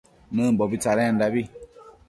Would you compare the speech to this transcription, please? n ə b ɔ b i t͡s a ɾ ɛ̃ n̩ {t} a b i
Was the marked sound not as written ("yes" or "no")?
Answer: yes